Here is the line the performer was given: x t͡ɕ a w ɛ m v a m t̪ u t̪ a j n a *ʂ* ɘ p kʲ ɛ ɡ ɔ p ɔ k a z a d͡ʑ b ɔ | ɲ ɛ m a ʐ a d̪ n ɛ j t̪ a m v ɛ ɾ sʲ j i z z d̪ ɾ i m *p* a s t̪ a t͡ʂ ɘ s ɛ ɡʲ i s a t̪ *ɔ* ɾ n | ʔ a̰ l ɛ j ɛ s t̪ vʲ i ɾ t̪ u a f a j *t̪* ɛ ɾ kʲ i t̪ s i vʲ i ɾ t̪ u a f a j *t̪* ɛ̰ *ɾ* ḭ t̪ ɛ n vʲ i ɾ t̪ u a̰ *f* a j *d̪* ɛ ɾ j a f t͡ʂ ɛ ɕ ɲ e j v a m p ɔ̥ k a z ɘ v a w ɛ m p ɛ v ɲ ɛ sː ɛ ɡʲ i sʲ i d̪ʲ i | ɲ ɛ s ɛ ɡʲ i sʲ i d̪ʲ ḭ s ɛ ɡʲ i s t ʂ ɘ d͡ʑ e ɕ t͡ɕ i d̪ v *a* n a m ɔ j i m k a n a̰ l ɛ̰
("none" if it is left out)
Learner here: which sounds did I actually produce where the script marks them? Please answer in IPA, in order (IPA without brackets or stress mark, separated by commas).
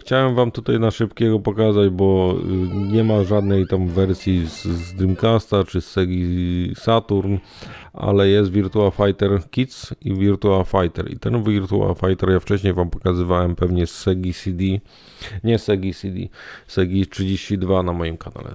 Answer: ʂ, k, u, t̪, t̪, ɾ, f, t̪, a